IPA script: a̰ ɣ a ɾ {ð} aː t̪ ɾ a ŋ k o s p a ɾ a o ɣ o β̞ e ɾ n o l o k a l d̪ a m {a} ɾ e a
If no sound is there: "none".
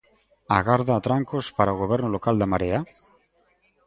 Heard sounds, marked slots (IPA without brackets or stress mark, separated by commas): ð, a